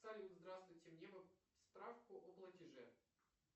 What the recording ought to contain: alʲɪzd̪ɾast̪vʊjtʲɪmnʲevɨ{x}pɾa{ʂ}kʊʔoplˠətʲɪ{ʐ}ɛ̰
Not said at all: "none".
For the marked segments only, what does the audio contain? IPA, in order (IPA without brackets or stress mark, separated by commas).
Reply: s, f, ʐ